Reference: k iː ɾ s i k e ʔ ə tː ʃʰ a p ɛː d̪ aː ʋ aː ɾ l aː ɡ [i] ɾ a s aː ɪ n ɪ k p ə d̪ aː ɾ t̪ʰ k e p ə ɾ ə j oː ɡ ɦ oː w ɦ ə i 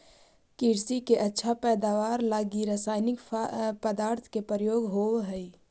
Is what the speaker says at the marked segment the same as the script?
yes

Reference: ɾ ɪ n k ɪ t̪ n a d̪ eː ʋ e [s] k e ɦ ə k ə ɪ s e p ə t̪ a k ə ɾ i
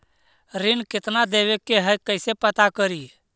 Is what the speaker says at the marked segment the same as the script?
no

